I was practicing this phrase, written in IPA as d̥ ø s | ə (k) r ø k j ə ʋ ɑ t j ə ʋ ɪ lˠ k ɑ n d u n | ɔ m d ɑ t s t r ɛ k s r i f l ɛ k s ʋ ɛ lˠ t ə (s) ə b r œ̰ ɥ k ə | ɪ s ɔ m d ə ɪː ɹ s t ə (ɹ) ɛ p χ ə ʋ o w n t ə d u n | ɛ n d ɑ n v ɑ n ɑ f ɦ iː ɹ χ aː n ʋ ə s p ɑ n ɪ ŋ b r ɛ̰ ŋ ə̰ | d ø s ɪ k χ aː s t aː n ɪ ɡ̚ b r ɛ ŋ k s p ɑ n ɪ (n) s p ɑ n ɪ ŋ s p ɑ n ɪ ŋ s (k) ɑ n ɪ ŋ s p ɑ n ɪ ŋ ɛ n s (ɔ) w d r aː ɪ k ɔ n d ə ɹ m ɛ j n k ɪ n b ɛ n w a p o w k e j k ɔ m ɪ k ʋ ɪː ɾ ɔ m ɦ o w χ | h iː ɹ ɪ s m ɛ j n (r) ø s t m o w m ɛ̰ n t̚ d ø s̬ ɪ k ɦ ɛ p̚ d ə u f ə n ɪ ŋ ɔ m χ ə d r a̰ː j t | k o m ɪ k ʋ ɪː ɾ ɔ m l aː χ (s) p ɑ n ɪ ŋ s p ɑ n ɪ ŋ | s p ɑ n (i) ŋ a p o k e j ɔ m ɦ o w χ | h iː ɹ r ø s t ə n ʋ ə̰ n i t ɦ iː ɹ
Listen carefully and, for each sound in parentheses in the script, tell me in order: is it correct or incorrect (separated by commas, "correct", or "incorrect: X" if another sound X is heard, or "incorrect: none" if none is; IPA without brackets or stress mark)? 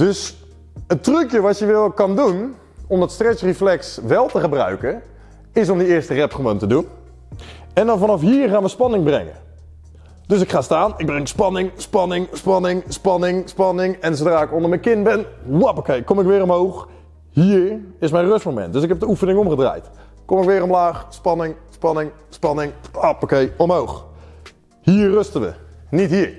incorrect: t, incorrect: χ, incorrect: r, incorrect: ŋ, incorrect: p, incorrect: o, correct, correct, incorrect: ɪ